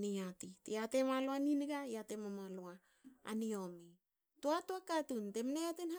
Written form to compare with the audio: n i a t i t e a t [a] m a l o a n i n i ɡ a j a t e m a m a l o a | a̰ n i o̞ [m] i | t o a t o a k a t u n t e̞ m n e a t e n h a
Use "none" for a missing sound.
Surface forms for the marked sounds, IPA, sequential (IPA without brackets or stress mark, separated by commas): e, m